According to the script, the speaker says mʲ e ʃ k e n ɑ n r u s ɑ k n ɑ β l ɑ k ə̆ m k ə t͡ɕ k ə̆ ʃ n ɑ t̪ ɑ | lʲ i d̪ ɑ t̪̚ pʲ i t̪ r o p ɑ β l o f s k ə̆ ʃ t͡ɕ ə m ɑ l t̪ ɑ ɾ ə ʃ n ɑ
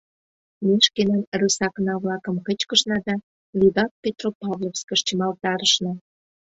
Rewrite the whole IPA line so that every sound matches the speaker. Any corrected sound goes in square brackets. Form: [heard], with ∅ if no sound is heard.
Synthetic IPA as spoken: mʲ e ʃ k e n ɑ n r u s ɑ k n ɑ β l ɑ k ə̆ m k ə t͡ɕ k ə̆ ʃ n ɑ [d̪] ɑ | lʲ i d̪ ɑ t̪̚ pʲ [e] t̪ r o p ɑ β l o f s k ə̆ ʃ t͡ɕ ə m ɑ l t̪ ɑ ɾ ə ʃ n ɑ